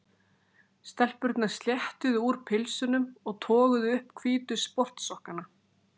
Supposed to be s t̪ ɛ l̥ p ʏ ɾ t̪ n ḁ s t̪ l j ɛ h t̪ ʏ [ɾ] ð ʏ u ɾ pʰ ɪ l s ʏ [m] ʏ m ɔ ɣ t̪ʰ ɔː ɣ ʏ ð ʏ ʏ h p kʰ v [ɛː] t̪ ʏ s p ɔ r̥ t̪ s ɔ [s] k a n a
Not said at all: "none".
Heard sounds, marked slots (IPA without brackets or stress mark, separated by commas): none, n, iː, h